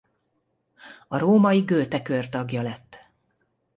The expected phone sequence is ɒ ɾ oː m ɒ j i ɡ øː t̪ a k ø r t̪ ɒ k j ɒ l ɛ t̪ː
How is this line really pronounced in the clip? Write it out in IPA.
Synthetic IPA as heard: ɒ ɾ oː m ɒ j i ɡ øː t̪ ɛ k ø r t̪ ɒ ɡ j ɒ l ɛ t̪ː